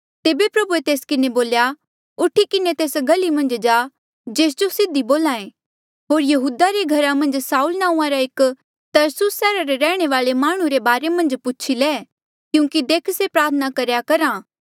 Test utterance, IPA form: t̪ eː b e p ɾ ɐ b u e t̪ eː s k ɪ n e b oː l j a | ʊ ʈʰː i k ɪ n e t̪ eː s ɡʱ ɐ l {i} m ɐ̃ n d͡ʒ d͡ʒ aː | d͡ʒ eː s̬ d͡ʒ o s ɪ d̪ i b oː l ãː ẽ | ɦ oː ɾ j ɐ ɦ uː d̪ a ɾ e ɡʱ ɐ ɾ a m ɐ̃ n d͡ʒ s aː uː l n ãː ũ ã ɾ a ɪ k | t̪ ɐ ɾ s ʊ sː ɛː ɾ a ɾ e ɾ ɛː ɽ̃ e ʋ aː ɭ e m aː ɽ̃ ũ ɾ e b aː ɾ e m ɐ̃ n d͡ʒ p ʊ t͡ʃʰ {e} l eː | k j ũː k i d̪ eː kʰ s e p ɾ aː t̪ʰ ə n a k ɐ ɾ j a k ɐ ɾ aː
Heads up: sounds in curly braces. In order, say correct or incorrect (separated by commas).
correct, incorrect